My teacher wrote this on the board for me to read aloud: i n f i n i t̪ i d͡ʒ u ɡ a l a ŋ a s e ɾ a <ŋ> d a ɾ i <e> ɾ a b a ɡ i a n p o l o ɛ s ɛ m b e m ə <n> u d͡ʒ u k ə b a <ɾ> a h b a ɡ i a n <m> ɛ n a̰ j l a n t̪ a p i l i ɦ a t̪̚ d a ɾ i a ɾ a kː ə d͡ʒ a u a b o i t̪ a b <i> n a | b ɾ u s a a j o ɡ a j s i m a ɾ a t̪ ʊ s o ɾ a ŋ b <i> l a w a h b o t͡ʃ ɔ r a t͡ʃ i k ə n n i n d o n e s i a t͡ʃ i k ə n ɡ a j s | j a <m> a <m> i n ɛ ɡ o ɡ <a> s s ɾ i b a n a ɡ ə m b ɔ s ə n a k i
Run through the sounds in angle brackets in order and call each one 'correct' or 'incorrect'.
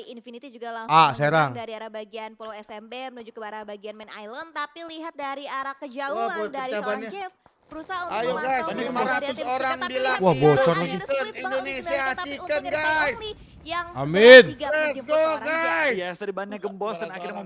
correct, incorrect: a, correct, correct, correct, incorrect: a, correct, incorrect: ŋ, correct, correct

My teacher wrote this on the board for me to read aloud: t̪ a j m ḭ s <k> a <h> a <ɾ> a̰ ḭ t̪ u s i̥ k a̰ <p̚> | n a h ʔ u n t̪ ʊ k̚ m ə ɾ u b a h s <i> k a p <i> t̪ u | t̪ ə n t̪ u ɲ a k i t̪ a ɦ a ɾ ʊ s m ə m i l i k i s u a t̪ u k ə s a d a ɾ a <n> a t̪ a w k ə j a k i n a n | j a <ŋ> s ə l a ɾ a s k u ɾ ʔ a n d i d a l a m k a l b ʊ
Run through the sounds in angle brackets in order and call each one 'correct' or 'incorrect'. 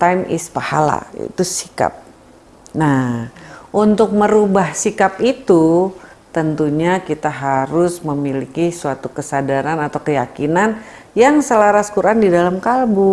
incorrect: p, correct, incorrect: l, correct, correct, correct, correct, correct

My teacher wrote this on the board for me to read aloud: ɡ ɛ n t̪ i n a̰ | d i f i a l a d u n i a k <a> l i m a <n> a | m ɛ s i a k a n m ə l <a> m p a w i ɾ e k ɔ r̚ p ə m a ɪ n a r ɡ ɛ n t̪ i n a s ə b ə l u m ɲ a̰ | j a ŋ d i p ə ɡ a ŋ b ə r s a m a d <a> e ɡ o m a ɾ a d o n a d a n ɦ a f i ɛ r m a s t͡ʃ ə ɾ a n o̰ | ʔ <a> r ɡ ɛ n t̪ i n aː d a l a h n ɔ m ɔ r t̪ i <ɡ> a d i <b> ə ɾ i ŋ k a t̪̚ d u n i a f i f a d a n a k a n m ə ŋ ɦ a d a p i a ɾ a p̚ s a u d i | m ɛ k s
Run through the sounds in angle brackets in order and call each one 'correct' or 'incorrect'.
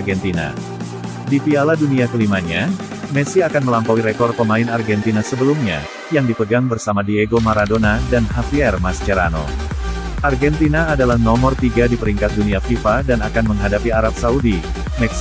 incorrect: ə, incorrect: ɲ, correct, incorrect: i, correct, correct, incorrect: p

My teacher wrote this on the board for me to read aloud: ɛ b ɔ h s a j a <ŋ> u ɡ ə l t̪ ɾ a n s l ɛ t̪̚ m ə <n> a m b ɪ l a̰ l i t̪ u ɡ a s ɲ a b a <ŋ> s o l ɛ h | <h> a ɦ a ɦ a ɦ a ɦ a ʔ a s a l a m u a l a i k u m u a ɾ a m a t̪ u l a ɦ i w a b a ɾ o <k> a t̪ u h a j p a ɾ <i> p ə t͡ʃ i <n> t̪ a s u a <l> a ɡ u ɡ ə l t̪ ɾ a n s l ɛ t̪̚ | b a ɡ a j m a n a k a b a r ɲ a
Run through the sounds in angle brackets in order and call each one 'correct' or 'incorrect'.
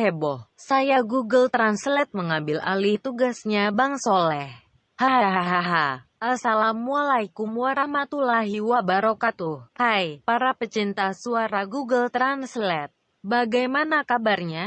incorrect: ɡ, incorrect: ŋ, correct, correct, correct, incorrect: a, correct, incorrect: ɾ

